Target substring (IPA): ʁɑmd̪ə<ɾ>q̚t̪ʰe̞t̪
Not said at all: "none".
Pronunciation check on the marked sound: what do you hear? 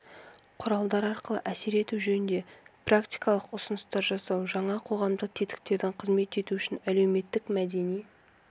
none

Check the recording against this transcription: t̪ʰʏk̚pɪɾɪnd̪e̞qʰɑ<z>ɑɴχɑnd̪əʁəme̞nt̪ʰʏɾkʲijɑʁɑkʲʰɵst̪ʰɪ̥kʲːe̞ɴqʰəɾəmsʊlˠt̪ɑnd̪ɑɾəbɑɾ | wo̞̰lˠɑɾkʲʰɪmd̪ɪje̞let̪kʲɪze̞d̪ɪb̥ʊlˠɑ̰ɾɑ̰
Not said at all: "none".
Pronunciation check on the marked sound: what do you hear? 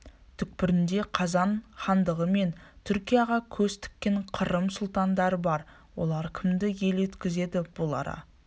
z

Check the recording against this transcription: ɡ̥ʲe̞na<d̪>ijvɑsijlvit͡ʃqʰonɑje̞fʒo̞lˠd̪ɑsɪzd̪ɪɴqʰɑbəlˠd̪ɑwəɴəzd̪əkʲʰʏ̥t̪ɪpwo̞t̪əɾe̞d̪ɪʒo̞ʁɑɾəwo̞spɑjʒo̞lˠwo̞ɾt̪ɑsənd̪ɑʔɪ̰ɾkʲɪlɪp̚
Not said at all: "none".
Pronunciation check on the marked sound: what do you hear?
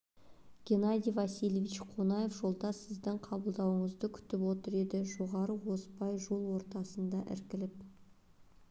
d̪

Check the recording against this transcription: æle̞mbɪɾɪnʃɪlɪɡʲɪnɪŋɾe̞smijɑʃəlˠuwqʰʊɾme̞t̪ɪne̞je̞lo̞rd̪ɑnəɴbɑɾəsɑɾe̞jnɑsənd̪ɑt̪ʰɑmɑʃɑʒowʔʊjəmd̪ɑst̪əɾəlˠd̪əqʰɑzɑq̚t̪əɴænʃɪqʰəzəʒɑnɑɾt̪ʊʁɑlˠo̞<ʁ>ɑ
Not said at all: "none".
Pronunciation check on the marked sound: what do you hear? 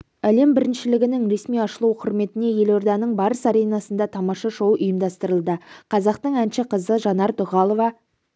v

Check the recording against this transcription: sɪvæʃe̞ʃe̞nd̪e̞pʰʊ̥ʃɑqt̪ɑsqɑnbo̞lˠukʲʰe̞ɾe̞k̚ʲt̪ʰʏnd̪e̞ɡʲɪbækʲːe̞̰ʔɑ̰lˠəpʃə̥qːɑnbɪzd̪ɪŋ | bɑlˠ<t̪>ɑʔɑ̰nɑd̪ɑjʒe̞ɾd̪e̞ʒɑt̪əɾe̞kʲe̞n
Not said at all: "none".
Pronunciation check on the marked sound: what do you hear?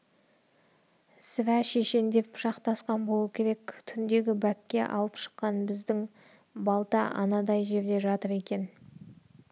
t̪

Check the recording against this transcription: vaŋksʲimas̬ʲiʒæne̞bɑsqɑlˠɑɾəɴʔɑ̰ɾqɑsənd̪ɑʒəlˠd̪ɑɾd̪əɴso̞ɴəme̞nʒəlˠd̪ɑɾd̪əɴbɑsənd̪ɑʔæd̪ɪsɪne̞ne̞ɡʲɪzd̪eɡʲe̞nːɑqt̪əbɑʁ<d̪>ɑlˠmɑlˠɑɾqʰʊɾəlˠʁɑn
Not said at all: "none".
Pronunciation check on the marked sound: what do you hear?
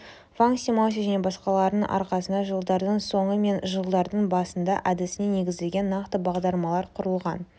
d̪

